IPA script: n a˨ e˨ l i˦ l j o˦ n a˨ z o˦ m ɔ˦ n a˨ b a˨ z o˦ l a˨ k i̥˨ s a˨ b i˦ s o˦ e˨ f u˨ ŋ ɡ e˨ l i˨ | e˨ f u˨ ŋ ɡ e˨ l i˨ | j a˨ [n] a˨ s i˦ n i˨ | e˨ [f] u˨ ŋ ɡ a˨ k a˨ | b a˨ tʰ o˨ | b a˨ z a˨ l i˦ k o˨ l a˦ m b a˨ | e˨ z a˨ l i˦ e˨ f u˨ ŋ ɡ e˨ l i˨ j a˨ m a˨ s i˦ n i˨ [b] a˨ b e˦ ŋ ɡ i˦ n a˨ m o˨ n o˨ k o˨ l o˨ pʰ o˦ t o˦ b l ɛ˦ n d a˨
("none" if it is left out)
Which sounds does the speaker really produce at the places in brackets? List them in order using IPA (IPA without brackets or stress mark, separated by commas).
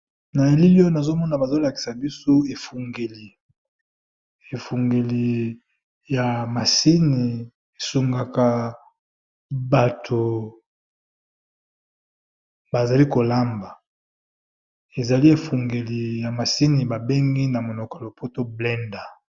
m, s, b